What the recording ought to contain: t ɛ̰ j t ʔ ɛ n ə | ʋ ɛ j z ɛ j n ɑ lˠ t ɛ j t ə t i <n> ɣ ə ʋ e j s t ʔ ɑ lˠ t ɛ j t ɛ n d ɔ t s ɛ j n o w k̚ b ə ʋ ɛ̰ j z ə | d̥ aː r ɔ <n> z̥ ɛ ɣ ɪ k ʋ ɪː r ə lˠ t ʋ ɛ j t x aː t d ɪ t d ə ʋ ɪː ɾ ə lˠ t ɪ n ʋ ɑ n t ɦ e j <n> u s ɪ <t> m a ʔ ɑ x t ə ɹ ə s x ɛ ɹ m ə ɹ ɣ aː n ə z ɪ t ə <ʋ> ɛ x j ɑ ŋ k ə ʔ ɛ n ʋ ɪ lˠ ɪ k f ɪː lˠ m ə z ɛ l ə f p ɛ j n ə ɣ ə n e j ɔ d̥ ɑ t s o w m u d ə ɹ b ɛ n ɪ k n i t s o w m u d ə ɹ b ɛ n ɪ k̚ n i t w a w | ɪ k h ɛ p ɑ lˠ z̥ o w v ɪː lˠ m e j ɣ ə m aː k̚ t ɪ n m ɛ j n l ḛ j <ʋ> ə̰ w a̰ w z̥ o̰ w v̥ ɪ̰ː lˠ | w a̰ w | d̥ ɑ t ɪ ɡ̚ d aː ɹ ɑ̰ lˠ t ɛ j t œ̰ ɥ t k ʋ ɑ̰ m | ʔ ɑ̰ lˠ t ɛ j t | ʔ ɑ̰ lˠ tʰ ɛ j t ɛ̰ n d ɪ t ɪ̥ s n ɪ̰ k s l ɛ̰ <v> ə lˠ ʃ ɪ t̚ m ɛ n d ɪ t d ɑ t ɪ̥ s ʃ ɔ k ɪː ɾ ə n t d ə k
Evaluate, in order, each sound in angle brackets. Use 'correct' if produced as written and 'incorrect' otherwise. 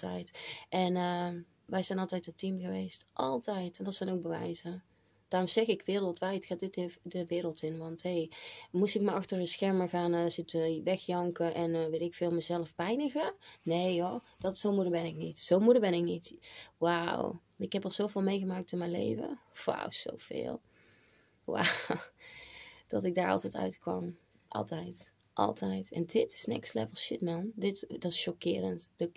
incorrect, incorrect, incorrect, incorrect, correct, incorrect, correct

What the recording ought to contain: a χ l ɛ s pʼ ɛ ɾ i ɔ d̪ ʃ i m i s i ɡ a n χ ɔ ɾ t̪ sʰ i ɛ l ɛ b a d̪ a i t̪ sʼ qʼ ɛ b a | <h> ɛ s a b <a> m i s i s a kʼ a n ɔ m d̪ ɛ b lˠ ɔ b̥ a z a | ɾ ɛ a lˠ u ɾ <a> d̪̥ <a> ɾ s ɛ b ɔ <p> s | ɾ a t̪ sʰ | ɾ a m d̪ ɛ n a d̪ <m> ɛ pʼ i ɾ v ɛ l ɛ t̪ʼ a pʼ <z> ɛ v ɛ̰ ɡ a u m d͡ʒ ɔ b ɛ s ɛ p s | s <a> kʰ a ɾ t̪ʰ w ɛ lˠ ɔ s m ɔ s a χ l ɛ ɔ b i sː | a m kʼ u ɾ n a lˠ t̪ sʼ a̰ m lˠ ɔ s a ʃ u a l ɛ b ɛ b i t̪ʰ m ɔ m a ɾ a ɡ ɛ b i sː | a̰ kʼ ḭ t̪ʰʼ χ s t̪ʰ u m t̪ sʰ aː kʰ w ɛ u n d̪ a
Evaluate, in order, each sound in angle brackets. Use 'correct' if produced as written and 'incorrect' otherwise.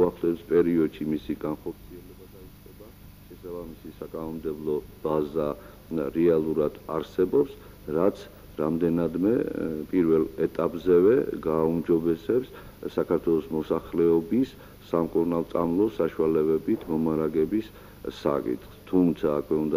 incorrect, correct, correct, correct, correct, correct, correct, correct

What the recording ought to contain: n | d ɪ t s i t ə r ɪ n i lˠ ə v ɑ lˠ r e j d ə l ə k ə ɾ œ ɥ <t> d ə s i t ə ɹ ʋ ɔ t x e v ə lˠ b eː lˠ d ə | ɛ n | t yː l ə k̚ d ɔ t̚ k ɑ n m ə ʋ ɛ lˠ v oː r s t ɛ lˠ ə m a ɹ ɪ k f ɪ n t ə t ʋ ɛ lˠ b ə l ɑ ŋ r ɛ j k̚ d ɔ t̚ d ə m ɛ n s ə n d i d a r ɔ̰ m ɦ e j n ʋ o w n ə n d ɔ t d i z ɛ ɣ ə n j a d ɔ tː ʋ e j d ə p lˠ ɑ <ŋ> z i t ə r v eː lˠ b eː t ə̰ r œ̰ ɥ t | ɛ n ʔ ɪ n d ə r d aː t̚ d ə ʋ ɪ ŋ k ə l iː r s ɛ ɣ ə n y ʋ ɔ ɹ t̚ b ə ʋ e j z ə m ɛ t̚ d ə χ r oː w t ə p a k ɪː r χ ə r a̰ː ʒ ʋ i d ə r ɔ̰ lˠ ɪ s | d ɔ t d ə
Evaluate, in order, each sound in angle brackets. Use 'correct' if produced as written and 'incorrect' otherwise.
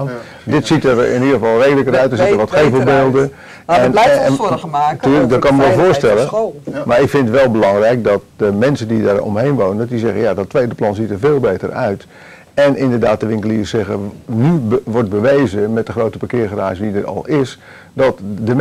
correct, incorrect

